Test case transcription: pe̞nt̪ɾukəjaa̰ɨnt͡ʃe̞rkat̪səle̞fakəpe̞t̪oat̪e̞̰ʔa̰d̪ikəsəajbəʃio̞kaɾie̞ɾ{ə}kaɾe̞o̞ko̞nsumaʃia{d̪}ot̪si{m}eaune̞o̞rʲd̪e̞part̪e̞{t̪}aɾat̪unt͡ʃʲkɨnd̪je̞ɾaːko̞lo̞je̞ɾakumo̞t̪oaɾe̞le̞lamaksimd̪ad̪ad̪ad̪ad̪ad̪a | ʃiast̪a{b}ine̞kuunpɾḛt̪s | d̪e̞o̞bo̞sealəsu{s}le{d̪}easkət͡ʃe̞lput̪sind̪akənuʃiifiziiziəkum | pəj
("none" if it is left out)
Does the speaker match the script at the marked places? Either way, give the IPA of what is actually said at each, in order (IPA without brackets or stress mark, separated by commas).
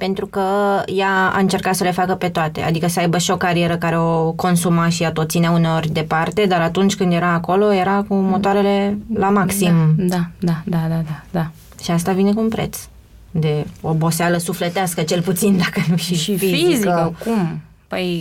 ə, t̪, n, d̪, v, f, t̪